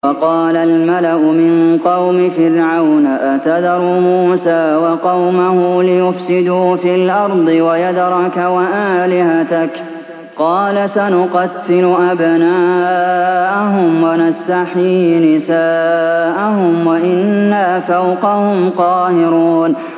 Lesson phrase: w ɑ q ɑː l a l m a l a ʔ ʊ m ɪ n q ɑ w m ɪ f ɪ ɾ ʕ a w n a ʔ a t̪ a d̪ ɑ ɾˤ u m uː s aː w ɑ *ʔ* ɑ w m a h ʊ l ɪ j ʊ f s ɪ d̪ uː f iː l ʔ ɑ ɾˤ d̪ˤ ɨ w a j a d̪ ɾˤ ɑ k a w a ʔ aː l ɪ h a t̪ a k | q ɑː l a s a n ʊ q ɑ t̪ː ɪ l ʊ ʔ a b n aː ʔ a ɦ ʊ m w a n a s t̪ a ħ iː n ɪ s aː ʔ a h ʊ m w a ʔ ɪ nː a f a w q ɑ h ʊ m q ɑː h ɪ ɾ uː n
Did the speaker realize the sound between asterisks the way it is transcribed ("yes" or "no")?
no